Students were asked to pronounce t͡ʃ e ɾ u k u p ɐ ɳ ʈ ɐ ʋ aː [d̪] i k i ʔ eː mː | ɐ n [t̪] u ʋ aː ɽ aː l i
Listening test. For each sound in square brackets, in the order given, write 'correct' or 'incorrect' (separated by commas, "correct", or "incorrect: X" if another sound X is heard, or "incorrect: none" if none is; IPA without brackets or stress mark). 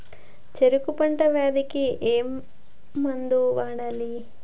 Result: correct, incorrect: d̪